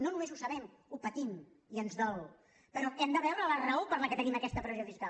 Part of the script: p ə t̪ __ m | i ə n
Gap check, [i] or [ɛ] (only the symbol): i